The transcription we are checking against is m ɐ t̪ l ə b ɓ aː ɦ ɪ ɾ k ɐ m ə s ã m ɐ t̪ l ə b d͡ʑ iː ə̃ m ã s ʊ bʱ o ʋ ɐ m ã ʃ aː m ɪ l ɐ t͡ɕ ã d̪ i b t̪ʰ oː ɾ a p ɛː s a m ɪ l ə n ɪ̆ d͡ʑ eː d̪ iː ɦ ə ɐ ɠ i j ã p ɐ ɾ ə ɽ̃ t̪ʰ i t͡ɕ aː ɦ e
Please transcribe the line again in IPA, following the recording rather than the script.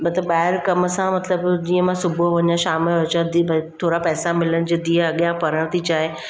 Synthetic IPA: m ɐ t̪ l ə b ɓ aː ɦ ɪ ɾ k ɐ m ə s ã m ɐ t̪ l ə b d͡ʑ iː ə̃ m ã s ʊ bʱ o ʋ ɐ ɲ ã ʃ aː m ɪ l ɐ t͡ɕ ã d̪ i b t̪ʰ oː ɾ a p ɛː s a m ɪ l ə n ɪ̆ d͡ʑ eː d̪ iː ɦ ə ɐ ɠ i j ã p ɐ ɾ ə ɽ̃ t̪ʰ i t͡ɕ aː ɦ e